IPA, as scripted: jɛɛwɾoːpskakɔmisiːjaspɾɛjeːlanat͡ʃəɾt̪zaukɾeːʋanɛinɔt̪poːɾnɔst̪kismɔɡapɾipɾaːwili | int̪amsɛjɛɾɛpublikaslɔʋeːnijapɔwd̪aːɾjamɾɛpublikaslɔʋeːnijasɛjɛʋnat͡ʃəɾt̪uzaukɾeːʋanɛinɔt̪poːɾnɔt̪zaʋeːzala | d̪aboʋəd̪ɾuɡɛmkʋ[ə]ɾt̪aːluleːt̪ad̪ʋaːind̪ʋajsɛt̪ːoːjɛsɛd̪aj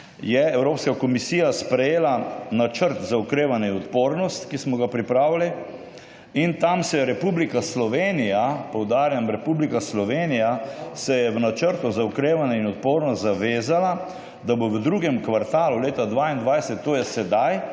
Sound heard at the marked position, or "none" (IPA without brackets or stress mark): a